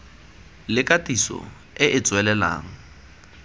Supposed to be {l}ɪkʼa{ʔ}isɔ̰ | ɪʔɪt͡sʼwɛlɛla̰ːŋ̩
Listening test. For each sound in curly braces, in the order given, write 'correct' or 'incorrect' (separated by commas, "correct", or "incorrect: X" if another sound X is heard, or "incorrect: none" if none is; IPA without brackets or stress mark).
correct, incorrect: t